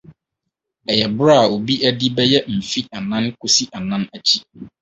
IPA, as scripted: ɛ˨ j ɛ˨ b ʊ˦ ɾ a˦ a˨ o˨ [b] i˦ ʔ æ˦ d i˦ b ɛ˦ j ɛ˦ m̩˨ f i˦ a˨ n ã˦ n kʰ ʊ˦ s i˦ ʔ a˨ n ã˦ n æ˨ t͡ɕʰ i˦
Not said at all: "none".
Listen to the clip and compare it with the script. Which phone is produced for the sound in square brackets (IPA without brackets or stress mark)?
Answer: b